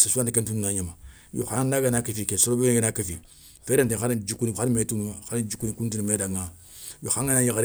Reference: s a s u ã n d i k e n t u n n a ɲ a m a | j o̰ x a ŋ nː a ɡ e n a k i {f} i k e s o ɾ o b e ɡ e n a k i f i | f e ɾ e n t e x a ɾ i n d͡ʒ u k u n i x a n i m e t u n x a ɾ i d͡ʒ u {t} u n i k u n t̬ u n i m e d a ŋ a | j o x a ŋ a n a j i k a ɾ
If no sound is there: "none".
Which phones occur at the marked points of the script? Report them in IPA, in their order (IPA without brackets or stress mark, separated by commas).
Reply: f, k